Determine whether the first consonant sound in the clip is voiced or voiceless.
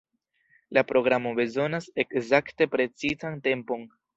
voiced